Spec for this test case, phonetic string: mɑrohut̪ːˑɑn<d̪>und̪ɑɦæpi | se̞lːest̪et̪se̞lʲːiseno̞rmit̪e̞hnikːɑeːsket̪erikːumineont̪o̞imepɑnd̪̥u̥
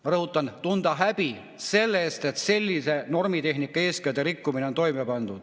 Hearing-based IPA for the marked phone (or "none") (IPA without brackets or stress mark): t̪